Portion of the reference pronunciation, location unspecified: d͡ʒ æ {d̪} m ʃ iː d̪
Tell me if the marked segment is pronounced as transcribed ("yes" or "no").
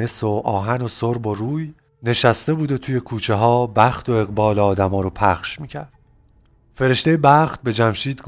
no